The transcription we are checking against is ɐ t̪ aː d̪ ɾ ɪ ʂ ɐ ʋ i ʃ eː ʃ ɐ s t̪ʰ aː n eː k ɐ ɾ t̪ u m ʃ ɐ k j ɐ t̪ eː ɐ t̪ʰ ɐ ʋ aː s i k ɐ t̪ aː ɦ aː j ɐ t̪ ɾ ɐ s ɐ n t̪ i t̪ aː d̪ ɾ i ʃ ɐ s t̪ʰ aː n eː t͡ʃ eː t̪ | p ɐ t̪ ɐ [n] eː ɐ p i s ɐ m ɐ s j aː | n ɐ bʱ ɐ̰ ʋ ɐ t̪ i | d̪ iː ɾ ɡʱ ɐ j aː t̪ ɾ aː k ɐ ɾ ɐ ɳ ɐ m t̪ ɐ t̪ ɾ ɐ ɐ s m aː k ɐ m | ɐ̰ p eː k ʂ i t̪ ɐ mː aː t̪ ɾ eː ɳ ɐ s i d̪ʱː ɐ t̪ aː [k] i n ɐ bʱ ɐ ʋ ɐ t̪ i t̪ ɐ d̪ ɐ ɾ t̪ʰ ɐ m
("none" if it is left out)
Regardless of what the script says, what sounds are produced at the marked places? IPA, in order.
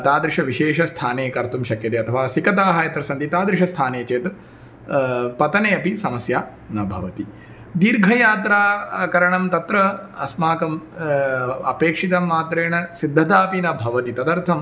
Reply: n, p

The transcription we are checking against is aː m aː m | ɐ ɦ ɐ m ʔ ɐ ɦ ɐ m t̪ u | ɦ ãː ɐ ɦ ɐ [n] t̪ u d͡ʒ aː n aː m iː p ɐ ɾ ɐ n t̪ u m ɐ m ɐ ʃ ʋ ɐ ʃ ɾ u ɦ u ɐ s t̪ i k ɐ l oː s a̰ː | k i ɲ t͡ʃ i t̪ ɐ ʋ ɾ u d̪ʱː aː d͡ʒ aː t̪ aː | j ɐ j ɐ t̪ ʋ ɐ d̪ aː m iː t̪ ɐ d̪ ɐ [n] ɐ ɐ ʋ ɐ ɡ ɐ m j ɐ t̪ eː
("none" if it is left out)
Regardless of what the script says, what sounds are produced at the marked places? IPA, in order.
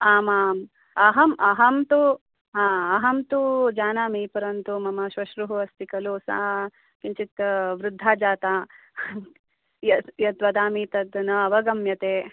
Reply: m, n

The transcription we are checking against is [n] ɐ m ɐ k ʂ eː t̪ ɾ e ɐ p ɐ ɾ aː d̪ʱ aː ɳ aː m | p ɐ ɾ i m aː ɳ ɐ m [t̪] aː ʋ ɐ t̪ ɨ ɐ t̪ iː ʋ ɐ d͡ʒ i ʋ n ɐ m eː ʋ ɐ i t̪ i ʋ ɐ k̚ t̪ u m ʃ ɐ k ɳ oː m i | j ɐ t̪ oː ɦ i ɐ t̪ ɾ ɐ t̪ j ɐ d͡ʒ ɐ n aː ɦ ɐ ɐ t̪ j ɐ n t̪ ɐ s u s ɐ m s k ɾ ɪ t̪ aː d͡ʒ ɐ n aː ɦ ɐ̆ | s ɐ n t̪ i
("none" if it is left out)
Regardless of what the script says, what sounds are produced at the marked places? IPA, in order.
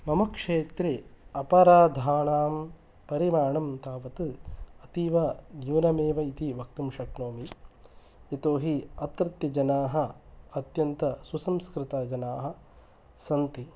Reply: m, t̪

